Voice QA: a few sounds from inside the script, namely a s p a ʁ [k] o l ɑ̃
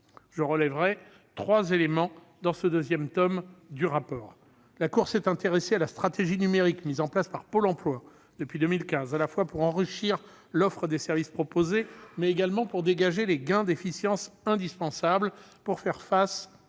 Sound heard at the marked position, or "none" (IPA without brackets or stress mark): p